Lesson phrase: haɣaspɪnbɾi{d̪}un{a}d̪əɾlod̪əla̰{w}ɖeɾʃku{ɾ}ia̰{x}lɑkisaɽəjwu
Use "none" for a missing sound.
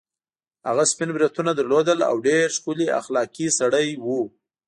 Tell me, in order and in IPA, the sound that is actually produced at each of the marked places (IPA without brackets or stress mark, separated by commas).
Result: t̪, a, w, l, x